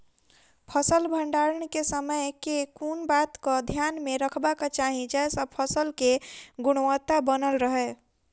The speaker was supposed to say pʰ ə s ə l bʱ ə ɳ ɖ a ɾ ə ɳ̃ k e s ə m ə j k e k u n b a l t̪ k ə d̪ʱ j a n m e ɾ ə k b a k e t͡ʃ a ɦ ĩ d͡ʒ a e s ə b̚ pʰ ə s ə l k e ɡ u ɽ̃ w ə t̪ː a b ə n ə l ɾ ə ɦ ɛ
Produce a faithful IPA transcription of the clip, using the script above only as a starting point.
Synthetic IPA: pʰ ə s ə l bʱ ə ɳ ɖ a ɾ ə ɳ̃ k e s ə m ə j k e k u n b a t̪ k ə d̪ʱ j a n m e ɾ ə kʰ b a k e t͡ʃ a ɦ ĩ d͡ʒ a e s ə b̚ pʰ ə s ə l k e ɡ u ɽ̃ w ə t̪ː a b ə n ə l ɾ ə ɦ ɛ